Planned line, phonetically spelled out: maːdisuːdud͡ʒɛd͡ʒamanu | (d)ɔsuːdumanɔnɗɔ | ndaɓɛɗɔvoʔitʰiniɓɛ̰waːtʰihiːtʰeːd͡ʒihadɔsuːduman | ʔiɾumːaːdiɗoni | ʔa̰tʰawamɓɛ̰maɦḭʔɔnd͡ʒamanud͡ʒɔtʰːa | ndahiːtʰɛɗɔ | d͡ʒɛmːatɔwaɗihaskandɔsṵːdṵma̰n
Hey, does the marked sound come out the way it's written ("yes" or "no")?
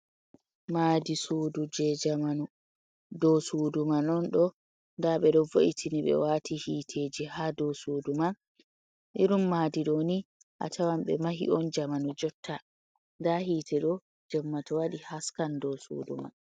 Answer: yes